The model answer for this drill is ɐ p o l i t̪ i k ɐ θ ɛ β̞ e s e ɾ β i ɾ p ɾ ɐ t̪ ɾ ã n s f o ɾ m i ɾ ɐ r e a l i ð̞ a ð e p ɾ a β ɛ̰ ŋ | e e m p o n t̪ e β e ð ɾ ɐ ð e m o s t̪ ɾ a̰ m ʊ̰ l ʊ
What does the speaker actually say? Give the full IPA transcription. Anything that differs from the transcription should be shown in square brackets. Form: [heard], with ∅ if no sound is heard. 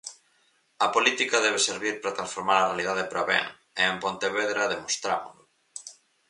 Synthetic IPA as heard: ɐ p o l i t̪ i k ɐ [ð] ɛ β̞ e s e ɾ β i ɾ p ɾ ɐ t̪ ɾ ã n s f o ɾ m [a] ɾ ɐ r e a l i ð̞ a ð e p ɾ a β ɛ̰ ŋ | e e m p o n t̪ e β e ð ɾ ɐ ð e m o s t̪ ɾ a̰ m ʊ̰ l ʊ